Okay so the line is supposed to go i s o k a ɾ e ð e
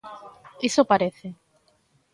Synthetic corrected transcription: i s o p a ɾ e θ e